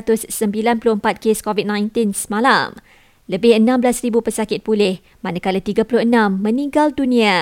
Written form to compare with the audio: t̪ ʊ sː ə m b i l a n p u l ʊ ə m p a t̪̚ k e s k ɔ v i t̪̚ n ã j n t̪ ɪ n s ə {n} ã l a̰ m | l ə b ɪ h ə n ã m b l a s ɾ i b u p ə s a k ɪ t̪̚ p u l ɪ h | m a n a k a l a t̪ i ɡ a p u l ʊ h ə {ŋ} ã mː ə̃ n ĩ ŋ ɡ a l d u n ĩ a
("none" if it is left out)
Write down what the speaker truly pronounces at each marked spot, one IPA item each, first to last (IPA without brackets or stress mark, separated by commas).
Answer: m, n